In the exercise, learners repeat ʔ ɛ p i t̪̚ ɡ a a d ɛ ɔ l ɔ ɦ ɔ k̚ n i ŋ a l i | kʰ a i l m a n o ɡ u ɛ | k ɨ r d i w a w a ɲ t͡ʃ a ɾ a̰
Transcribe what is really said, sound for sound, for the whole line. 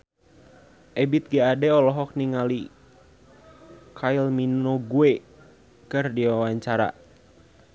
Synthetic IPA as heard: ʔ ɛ b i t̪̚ ɡ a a d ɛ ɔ l ɔ ɦ ɔ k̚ n i ŋ a l i | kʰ a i l m i n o ɡ u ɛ | k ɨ r d i w a w a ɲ t͡ʃ a ɾ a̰

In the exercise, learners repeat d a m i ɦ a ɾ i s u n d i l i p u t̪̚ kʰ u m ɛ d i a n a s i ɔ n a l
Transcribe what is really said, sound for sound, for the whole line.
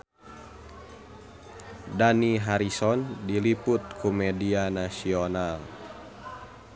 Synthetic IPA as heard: d a n i ɦ a ɾ i s ɔ n d i l i p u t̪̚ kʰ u m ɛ d i a n a s i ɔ n a l

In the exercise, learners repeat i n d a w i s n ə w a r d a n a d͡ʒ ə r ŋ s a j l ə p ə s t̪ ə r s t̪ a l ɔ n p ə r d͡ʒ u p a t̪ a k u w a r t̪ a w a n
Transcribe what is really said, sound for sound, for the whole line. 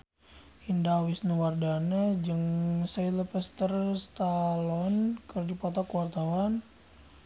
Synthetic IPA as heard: i n d a w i s n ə w a r d a n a d͡ʒ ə ŋ s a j l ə p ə s t̪ ə r s t̪ a l ɔ n k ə r d͡ʒ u p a t̪ a k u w a r t̪ a w a n

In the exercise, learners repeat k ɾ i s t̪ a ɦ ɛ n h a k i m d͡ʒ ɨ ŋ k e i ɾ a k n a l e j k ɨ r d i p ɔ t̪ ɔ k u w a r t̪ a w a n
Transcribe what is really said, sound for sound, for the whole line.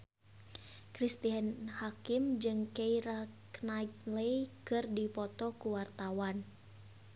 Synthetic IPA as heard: k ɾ i s t̪ i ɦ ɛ n h a k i m d͡ʒ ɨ ŋ k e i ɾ a k n a l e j k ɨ r d i p ɔ t̪ ɔ k u w a r t̪ a w a n

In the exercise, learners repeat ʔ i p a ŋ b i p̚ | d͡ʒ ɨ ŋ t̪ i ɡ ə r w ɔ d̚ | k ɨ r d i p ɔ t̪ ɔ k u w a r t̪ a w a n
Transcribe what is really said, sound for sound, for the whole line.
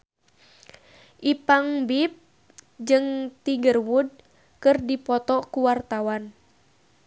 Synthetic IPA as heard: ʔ i p a ŋ b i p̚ | d͡ʒ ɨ ŋ t̪ i ɡ ə r w u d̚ | k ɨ r d i p ɔ t̪ ɔ k u w a r t̪ a w a n

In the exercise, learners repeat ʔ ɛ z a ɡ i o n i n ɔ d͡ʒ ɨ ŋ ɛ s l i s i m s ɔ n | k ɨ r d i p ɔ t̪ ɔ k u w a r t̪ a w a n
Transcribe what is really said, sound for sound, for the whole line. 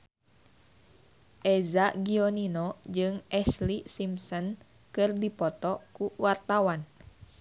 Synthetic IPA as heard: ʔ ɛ z a ɡ i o n i n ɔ d͡ʒ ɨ ŋ ɛ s l i s i m s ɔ n | k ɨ r d i p ɔ t̪ ɔ k u w a r t̪ a w a n

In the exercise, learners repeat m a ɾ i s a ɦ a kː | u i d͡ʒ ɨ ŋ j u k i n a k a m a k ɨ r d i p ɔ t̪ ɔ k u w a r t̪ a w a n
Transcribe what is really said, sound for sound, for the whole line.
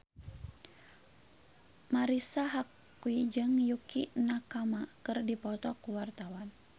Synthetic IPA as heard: m a ɾ i s a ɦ a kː | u i d͡ʒ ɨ ŋ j u k i n a k a m a k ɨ r d i p ɔ t̪ ɔ k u w a r t̪ a w a n

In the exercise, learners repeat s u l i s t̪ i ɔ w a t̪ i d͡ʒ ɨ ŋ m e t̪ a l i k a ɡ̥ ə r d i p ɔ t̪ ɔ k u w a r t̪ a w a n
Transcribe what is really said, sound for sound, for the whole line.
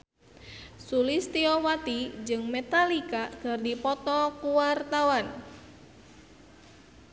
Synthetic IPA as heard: s u l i s t̪ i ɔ w a t̪ i d͡ʒ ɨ ŋ m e t̪ a l i k a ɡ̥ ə r d i p ɔ t̪ ɔ k u w a r t̪ a w a n

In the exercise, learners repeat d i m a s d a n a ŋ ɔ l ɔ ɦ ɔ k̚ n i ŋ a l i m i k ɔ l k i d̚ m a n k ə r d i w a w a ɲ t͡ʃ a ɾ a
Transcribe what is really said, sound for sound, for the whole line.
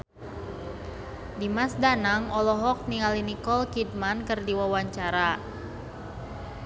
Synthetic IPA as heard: d i m a s d a n a ŋ ɔ l ɔ ɦ ɔ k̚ n i ŋ a l i n i k ɔ l k i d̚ m a n k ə r d i w a w a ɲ t͡ʃ a ɾ a

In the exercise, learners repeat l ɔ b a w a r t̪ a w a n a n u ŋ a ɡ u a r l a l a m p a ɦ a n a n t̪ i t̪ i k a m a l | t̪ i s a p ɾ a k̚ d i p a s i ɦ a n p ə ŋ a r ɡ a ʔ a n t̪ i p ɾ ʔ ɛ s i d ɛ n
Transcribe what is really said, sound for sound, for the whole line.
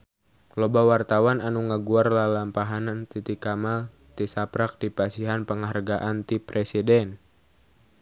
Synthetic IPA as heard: l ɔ b a w a r t̪ a w a n a n u ŋ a ɡ u a r l a l a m p a ɦ a n a n t̪ i t̪ i k a m a l | t̪ i s a p ɾ a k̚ d i p a s i ɦ a n p ə ŋ a r ɡ a ʔ a n t̪ i p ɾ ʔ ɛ s i d ɛ n

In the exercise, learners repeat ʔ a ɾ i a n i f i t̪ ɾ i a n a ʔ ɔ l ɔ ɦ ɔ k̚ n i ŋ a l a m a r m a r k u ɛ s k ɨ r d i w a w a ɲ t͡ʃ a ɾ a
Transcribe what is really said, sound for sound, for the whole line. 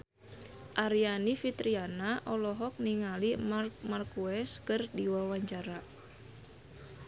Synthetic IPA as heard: ʔ a ɾ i a n i f i t̪ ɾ i a n a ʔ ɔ l ɔ ɦ ɔ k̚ n i ŋ a l i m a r m a r k u ɛ s k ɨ r d i w a w a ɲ t͡ʃ a ɾ a

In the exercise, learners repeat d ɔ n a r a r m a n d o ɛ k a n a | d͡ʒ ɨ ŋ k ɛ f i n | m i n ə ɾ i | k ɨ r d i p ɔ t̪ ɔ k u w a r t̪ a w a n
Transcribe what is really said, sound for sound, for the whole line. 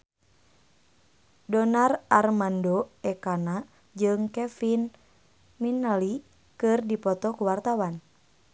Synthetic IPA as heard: d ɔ n a r a r m a n d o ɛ k a n a | d͡ʒ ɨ ŋ k ɛ f i n | m i n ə l i | k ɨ r d i p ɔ t̪ ɔ k u w a r t̪ a w a n

